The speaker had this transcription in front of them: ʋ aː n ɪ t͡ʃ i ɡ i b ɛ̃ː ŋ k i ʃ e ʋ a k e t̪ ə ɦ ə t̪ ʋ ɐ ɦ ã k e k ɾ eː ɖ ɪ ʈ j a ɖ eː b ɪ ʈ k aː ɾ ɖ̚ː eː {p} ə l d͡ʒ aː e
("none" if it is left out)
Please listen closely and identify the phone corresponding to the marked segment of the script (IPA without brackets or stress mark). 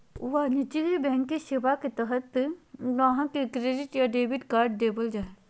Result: b